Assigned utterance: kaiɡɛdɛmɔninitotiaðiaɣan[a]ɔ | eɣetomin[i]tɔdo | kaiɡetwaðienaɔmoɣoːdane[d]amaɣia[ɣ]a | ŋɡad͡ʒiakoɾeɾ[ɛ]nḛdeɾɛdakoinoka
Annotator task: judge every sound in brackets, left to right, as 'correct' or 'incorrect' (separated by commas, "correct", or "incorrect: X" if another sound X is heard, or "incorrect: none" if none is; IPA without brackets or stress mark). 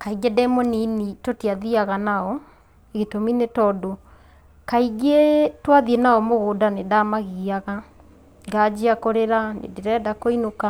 correct, incorrect: e, correct, correct, incorrect: a